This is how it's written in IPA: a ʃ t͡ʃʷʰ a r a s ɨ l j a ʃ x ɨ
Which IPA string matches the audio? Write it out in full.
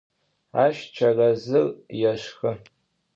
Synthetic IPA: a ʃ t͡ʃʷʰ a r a z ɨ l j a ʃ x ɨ